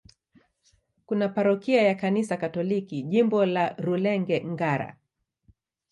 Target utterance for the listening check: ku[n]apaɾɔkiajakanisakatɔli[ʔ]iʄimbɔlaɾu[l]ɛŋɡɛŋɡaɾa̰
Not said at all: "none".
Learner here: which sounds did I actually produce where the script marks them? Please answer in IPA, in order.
n, k, l

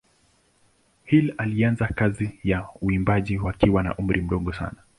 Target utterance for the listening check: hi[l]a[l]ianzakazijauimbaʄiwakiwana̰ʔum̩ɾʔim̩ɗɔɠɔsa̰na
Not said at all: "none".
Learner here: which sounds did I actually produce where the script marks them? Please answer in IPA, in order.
l, l

